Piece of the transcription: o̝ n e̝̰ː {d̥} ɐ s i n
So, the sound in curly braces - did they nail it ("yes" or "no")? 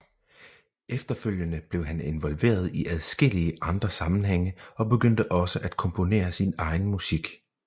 no